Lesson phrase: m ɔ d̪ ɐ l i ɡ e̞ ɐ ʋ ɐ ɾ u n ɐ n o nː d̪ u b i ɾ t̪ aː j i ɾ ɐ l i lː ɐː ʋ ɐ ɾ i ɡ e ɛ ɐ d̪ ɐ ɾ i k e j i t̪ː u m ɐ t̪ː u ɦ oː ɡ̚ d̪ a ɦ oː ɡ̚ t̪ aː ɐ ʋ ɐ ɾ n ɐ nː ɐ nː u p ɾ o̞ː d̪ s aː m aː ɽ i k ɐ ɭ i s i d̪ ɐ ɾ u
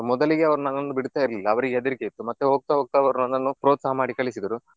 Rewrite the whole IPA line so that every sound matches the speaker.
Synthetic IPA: m ɔ d̪ ɐ l i ɡ e̞ ɐ ʋ ɐ ɾ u n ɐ n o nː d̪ u b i ɽ t̪ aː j i ɾ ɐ l i lː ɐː ʋ ɐ ɾ i ɡ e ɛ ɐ d̪ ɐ ɾ i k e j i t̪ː u m ɐ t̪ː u ɦ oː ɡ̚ t̪ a ɦ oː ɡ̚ t̪ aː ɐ ʋ ɐ ɾ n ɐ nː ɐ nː u p ɾ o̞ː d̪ s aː m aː ɽ i k ɐ ɭ i s i d̪ ɐ ɾ u